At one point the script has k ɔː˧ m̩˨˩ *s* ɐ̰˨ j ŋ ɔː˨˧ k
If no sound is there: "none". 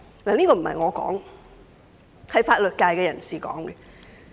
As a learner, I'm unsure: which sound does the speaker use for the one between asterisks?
h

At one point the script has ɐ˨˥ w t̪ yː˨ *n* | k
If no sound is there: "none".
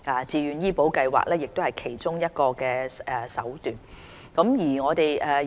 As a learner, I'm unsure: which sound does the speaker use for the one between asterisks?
n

